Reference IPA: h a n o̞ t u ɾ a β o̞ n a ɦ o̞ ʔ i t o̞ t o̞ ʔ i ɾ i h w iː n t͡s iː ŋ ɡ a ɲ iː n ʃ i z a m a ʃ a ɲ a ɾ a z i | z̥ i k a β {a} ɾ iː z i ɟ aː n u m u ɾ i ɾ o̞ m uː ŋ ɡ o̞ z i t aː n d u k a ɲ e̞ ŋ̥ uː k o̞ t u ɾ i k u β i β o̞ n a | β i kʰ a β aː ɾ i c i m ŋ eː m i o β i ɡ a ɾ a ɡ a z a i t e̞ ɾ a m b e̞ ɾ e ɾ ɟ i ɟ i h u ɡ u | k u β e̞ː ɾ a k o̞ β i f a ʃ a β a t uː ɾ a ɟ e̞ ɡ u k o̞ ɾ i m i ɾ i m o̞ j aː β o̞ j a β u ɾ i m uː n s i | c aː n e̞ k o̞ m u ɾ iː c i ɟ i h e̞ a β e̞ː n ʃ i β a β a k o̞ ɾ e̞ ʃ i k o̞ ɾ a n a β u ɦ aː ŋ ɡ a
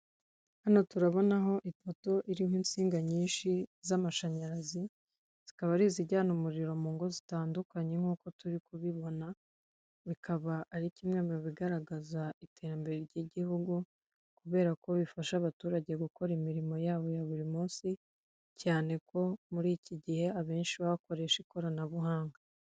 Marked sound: correct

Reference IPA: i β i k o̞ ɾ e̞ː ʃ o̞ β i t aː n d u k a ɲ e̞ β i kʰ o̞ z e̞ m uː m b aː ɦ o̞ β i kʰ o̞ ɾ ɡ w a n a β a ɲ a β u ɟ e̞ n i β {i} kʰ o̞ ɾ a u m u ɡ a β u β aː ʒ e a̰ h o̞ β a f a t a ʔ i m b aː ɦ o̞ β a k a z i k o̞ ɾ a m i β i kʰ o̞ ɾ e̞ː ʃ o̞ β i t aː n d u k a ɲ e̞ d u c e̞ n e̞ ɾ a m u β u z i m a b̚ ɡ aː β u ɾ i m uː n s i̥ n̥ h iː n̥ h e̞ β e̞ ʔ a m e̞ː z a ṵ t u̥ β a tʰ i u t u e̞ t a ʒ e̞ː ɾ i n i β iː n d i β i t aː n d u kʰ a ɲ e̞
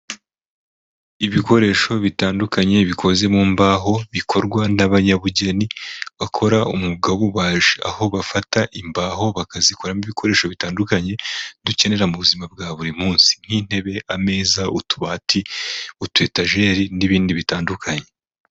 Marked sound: incorrect: a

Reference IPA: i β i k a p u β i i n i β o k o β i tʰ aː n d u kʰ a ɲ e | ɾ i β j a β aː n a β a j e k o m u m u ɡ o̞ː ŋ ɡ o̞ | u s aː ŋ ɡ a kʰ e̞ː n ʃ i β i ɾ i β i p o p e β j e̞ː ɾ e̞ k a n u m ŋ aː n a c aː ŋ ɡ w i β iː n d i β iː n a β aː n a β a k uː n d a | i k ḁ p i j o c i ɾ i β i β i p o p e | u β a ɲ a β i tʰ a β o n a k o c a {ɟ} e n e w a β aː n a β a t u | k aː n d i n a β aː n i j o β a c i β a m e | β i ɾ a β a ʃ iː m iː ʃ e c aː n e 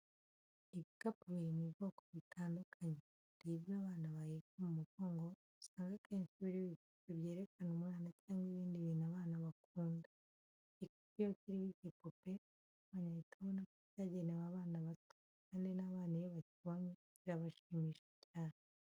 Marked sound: correct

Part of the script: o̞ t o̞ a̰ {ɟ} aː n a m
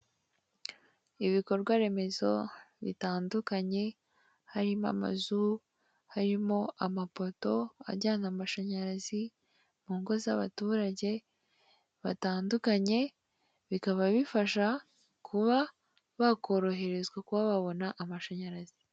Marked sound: correct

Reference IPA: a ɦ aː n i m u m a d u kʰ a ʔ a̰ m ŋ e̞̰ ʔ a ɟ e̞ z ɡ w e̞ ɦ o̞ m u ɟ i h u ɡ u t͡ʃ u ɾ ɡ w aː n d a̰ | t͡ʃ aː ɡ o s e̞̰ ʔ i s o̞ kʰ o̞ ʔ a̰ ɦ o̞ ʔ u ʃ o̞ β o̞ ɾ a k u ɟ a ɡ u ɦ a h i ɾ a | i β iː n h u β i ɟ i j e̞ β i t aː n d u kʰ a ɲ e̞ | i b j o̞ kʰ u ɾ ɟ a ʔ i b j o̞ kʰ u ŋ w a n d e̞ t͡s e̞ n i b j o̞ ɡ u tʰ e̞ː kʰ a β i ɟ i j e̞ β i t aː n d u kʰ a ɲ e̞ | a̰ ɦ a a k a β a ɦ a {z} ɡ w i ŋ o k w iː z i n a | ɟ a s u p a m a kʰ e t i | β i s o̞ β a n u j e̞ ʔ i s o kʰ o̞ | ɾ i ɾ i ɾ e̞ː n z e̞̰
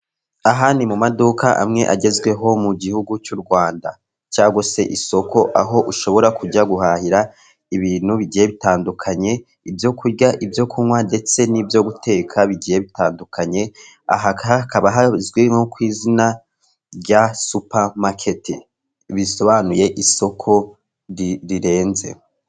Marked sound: correct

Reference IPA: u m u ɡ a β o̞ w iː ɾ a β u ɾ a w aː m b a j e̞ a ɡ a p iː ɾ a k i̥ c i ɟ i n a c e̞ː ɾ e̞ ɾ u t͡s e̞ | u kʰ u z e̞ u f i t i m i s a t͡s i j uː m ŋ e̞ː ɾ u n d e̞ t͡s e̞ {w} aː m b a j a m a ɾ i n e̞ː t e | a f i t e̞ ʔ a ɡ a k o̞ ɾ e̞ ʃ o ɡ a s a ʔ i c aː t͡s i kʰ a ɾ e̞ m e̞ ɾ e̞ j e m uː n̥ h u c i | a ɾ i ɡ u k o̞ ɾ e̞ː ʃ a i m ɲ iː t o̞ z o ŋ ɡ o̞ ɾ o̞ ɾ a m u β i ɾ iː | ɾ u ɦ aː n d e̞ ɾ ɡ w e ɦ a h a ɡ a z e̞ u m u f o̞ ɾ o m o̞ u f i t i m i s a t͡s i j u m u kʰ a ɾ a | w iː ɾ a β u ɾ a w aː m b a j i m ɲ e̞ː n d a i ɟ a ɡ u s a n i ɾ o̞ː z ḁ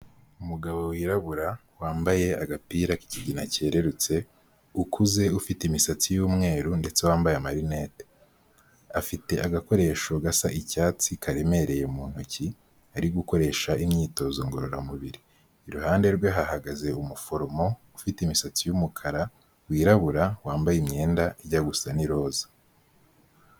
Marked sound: correct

